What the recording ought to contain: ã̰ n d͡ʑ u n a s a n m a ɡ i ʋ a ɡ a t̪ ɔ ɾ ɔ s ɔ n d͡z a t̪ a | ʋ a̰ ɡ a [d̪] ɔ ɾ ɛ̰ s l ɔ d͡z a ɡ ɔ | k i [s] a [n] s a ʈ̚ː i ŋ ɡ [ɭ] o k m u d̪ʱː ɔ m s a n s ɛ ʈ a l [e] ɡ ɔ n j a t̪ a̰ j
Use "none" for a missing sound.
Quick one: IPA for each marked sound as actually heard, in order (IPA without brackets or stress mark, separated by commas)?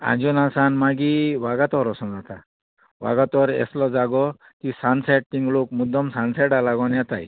t̪, s, n, l, a